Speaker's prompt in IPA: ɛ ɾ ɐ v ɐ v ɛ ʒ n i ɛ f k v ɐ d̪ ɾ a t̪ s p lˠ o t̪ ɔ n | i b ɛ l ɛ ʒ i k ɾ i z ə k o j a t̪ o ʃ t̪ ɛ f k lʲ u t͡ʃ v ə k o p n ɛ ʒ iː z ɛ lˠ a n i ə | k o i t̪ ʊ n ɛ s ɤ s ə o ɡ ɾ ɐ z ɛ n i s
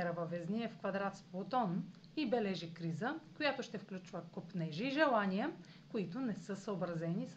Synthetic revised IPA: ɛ ɾ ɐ v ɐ v ɛ z n i ɛ f k v ɐ d̪ ɾ a t̪ s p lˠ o t̪ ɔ n | i b ɛ l ɛ ʒ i k ɾ i z ə k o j a t̪ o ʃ t̪ ɛ f k lʲ u t͡ʃ v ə k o p n ɛ ʒ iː ʒ ɛ lˠ a n i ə | k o i t̪ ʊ n ɛ s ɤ s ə o b ɾ ɐ z ɛ n i s